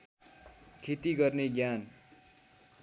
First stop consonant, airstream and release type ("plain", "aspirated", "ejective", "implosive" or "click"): aspirated